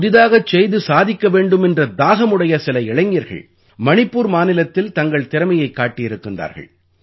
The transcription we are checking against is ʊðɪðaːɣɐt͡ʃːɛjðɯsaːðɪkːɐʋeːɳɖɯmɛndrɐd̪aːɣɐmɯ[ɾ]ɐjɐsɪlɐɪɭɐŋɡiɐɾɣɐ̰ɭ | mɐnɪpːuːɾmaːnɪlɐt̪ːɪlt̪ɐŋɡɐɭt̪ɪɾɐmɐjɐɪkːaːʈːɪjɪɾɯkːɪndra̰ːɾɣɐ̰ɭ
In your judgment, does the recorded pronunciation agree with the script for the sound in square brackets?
no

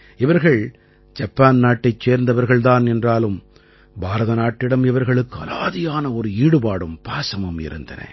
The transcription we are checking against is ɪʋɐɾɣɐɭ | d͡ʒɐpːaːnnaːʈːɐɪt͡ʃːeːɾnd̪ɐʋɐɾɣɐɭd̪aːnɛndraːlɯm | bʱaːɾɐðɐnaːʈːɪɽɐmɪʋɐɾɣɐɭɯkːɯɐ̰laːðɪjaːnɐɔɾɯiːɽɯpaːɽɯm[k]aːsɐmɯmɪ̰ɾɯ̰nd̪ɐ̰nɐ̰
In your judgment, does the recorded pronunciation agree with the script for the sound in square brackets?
no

